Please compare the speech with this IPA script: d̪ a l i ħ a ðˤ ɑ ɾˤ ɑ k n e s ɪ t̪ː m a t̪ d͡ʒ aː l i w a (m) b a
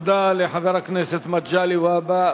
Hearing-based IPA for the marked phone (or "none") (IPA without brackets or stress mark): none